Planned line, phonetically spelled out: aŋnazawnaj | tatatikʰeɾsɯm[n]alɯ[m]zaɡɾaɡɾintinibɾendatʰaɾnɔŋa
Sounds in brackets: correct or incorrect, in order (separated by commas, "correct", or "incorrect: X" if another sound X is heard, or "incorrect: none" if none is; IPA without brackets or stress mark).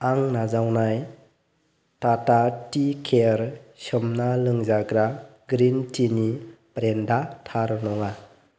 correct, incorrect: ŋ